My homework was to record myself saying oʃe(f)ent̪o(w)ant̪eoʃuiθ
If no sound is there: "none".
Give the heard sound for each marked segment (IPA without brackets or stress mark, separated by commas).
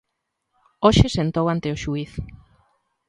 s, w